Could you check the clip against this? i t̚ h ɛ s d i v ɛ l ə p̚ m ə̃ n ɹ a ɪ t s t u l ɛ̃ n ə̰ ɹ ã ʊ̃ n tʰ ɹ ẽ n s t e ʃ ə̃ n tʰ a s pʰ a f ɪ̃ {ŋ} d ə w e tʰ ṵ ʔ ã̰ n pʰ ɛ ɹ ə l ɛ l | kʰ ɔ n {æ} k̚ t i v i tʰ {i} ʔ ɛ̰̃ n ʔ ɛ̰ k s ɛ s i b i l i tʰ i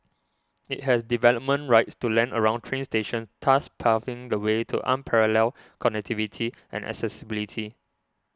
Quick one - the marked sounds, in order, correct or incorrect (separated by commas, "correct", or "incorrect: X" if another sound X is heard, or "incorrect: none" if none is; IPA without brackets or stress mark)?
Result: correct, incorrect: ɛ, correct